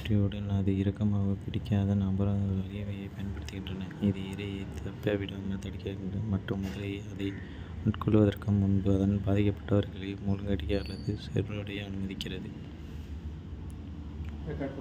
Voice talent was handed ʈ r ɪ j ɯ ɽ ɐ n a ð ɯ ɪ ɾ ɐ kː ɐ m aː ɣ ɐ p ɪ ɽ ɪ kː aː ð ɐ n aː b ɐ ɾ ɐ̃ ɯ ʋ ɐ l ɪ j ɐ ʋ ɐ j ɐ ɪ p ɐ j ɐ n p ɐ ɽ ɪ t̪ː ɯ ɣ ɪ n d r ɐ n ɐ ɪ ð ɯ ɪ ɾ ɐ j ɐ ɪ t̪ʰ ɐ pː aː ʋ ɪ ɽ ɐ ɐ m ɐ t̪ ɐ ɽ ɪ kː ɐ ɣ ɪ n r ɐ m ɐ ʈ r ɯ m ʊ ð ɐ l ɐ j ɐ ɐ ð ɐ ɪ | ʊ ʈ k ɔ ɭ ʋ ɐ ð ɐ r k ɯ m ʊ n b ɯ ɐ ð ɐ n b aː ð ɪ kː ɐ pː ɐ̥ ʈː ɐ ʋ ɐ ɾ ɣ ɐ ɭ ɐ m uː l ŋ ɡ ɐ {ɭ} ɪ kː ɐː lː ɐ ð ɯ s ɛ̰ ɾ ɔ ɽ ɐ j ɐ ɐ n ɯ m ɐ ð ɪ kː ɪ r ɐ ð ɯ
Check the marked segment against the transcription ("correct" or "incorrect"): incorrect